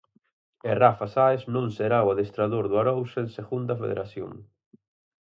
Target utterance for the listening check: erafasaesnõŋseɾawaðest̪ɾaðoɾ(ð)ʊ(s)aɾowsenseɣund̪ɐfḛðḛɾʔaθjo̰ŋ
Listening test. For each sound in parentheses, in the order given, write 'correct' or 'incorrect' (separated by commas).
correct, incorrect